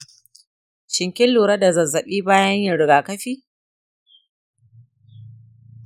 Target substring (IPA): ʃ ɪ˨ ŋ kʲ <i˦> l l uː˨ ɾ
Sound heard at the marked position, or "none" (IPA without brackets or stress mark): ɪ˦